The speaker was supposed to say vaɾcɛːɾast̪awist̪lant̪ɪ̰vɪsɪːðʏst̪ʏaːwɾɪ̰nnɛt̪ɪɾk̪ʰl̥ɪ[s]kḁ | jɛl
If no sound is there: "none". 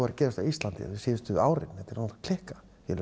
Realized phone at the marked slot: h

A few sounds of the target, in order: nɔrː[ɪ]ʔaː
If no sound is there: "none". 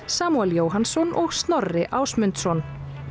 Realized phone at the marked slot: ɪ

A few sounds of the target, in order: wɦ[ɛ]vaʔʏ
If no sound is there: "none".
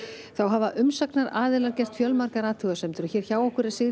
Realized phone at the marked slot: a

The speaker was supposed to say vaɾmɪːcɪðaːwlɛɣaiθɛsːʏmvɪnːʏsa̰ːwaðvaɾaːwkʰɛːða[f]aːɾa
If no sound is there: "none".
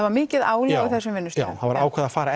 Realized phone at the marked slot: f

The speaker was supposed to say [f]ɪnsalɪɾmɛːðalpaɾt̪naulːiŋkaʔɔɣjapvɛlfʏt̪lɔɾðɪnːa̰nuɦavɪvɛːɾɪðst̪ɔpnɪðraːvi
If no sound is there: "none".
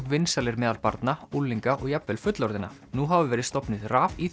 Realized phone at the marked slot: v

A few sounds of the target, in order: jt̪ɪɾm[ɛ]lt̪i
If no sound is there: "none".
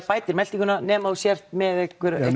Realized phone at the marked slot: ɛ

